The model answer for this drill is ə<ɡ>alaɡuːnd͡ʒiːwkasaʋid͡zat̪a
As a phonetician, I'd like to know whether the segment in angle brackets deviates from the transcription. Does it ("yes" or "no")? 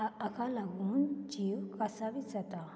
yes